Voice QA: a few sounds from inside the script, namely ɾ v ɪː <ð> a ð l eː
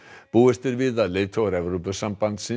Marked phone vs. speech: correct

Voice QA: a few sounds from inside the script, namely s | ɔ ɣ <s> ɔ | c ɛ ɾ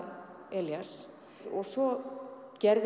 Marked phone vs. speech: correct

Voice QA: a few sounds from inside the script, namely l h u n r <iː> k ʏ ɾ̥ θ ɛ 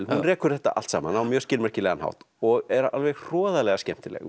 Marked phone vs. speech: incorrect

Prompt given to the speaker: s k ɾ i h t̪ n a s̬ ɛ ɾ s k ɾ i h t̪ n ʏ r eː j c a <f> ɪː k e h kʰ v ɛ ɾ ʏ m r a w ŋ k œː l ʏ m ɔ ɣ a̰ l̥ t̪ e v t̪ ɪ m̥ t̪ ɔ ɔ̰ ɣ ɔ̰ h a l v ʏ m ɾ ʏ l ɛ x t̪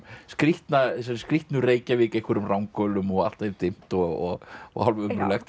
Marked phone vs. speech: incorrect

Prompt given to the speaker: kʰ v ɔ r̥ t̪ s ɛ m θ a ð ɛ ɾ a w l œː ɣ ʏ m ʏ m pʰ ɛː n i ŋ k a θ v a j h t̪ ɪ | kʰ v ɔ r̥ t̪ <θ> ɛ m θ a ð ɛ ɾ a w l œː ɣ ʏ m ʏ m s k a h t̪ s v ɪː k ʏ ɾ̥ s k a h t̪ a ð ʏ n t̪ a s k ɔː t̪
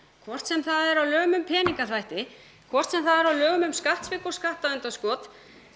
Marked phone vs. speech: incorrect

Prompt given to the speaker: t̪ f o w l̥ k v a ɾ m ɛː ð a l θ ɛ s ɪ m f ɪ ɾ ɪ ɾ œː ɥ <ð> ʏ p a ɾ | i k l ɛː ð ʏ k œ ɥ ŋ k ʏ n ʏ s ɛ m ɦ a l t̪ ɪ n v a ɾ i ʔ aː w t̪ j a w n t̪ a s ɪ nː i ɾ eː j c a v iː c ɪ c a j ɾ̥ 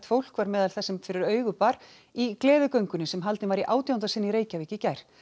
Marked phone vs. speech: incorrect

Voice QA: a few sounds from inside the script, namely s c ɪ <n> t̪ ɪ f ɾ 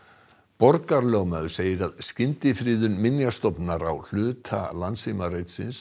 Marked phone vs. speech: correct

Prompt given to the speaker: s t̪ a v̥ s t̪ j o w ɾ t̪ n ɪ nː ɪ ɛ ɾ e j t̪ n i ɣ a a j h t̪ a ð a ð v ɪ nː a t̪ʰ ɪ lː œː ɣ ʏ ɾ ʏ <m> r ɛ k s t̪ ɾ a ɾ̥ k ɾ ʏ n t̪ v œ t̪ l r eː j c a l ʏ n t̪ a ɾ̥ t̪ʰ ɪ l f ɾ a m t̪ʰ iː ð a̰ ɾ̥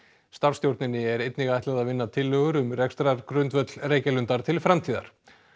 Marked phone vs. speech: correct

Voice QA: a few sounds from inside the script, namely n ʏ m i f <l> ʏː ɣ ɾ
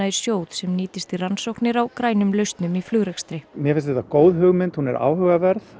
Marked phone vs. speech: correct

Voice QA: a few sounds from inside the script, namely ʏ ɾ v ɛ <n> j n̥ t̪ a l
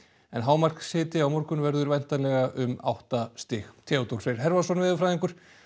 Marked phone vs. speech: incorrect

